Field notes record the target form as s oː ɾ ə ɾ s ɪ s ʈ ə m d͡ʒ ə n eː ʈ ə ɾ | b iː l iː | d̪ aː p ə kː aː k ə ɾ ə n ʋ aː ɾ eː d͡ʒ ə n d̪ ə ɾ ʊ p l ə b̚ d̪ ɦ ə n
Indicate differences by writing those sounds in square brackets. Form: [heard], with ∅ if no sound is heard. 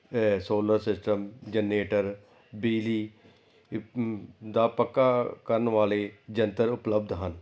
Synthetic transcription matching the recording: s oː [l] ə ɾ s ɪ s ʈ ə m d͡ʒ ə n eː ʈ ə ɾ | b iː l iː | d̪ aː p ə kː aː k ə ɾ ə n ʋ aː [l] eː d͡ʒ ə n [t̪] ə ɾ ʊ p l ə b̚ d̪ ɦ ə n